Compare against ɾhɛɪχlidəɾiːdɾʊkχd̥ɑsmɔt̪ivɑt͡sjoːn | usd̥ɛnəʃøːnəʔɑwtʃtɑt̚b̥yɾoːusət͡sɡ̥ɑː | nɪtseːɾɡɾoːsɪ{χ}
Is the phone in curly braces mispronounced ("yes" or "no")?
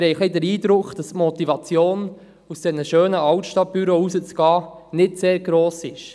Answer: yes